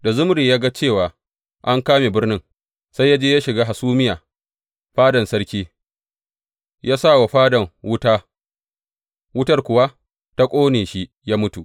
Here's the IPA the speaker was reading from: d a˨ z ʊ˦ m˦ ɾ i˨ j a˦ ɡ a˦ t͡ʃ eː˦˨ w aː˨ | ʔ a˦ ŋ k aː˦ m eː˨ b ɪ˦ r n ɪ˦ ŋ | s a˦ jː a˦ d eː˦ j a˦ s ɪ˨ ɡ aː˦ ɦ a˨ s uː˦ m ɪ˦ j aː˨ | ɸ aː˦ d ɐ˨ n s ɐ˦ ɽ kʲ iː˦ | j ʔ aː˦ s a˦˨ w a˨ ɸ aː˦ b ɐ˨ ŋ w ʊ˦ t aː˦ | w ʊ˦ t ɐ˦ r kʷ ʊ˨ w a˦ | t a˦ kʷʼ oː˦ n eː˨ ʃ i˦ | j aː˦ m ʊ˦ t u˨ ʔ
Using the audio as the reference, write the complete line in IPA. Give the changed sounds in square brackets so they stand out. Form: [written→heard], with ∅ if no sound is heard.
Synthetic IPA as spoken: d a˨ z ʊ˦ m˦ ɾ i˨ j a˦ ɡ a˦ t͡ʃ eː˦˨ w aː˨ | ʔ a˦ ŋ k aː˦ m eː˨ b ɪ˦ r n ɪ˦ ŋ | s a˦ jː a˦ [d→d͡ʒ] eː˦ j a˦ [s→ʃ] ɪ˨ ɡ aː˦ ɦ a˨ s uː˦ m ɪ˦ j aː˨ | ɸ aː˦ d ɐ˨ n s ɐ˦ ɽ kʲ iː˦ | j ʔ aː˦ s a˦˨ w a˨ ɸ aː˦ [b→d] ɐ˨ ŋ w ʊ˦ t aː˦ | w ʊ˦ t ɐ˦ r kʷ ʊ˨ w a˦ | t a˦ kʷʼ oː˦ n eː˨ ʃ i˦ | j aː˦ m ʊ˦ t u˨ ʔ